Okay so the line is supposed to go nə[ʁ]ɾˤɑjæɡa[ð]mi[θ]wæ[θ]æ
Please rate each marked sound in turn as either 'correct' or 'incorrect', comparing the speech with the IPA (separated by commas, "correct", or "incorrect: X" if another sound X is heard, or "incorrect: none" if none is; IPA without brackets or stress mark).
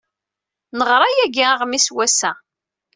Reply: correct, incorrect: ʁ, incorrect: s, incorrect: s